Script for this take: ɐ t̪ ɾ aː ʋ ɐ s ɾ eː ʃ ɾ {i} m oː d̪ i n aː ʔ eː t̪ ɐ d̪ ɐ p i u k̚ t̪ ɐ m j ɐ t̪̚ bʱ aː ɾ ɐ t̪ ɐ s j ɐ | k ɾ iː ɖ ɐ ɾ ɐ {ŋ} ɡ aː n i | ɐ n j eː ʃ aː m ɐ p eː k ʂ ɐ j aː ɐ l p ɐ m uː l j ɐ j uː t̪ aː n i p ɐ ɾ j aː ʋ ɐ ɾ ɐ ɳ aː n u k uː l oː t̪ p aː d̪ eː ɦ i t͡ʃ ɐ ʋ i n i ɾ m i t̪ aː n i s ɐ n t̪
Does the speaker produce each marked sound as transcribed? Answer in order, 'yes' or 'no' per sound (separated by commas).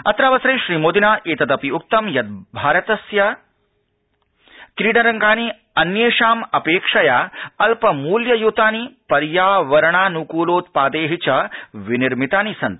no, yes